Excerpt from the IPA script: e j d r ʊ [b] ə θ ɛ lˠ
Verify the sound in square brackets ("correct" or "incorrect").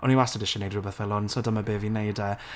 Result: correct